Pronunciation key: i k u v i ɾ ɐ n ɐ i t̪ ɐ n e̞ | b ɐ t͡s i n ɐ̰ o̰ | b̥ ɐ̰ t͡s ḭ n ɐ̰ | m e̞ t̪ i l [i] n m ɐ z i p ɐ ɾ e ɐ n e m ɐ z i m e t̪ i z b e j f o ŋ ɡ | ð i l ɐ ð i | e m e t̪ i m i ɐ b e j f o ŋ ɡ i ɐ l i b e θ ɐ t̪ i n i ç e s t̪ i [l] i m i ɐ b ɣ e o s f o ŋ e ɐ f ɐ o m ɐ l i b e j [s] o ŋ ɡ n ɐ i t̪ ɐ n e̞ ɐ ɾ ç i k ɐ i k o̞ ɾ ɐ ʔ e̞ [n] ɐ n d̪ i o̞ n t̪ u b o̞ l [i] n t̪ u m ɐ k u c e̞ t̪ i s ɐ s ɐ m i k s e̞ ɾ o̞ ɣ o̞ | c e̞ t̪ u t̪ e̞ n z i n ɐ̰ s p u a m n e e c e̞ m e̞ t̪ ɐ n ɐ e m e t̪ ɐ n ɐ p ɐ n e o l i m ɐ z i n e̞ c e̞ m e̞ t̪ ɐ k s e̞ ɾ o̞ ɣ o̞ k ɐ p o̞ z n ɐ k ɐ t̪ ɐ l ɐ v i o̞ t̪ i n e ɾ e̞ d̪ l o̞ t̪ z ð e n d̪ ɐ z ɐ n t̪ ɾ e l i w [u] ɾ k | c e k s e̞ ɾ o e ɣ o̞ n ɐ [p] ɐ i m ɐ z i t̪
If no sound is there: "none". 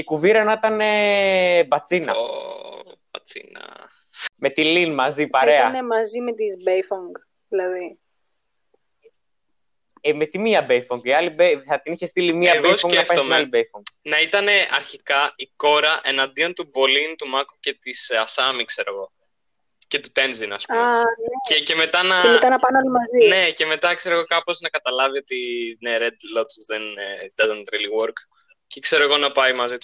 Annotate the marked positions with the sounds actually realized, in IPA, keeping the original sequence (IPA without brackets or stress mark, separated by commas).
i, l, f, n, i, o, p